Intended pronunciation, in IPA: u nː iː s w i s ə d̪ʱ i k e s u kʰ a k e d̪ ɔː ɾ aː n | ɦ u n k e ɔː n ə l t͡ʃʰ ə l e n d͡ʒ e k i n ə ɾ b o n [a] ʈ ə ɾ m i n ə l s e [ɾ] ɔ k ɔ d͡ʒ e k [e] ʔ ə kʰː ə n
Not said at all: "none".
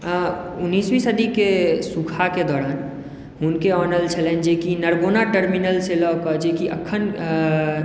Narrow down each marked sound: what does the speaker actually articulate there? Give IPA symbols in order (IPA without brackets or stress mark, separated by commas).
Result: a, l, i